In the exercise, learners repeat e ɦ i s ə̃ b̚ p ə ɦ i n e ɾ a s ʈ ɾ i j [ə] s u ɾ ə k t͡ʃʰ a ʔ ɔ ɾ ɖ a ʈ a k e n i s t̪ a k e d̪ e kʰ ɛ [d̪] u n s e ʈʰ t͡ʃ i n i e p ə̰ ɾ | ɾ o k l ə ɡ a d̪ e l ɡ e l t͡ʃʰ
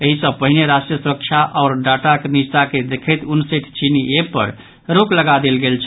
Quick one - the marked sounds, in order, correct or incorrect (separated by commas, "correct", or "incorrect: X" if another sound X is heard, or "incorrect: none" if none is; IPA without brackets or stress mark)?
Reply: correct, incorrect: t̪